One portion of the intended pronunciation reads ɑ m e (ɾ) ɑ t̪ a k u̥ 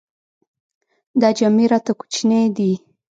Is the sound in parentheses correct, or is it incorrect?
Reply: correct